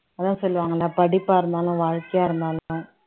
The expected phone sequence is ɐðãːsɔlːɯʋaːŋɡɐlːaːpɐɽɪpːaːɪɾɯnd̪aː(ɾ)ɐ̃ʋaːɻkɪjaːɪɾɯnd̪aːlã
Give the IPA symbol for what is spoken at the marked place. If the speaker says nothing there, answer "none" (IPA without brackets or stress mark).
l